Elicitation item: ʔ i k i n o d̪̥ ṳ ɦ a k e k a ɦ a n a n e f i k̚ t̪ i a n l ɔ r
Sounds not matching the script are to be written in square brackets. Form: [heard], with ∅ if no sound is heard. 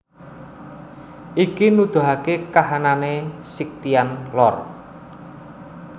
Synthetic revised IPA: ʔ i k i n [u] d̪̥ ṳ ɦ a k e k a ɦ a n a n e [s] i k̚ t̪ i a n l ɔ r